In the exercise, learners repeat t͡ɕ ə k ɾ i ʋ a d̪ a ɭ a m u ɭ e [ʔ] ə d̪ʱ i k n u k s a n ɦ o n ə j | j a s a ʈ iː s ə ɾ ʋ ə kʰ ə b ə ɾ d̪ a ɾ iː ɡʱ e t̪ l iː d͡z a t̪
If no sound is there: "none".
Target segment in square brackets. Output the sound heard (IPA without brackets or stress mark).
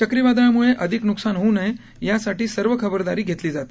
ʔ